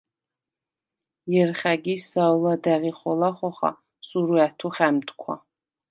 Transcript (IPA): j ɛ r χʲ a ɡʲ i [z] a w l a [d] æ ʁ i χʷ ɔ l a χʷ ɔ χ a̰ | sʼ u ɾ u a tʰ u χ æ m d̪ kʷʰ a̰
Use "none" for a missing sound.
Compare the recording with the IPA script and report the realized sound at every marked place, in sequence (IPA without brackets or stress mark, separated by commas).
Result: s, d